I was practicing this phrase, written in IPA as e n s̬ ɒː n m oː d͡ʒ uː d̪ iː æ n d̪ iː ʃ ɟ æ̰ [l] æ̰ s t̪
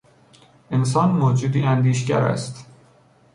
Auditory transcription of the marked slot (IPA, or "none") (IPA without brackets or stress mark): ɾ